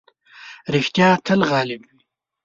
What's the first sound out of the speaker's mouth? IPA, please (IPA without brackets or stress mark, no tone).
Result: ɾ